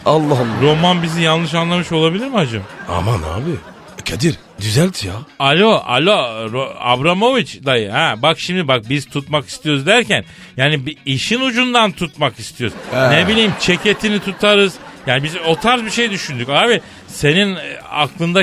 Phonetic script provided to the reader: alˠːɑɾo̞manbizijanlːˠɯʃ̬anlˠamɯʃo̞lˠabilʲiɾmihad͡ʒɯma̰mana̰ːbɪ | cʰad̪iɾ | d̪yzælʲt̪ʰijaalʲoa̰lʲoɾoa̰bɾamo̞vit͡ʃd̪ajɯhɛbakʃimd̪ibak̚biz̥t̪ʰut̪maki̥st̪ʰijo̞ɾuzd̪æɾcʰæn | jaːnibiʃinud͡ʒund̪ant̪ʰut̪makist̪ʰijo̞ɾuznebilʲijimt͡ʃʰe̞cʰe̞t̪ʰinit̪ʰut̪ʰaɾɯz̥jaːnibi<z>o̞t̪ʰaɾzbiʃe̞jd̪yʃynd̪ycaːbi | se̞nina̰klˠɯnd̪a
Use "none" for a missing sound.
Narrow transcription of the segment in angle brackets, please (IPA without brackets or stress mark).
z